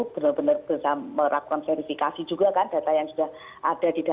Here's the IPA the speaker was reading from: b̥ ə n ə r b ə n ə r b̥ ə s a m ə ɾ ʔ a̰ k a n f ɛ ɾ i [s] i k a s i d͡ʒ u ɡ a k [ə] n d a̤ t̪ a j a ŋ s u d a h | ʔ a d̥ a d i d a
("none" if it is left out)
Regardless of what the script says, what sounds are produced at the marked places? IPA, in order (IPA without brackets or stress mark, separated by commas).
f, a